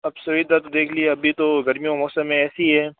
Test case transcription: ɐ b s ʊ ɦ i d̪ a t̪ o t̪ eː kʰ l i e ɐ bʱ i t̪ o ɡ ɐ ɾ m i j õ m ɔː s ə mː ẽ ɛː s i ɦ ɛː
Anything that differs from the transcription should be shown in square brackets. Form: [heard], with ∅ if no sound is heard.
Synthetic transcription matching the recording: ɐ b s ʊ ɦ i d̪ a t̪ o [d̪] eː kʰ l i e ɐ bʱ i t̪ o ɡ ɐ ɾ m i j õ m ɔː s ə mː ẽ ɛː s i ɦ ɛː